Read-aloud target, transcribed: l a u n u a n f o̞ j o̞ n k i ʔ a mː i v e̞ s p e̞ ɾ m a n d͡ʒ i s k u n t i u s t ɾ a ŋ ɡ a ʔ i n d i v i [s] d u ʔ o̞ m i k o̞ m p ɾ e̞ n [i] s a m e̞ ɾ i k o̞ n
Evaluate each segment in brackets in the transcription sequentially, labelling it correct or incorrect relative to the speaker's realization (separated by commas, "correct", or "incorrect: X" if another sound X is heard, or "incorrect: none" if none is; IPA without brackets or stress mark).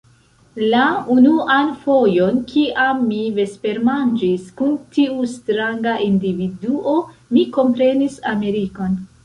incorrect: none, correct